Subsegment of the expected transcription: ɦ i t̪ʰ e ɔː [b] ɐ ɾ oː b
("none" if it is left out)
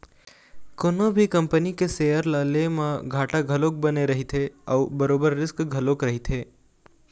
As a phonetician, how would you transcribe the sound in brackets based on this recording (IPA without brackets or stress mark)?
b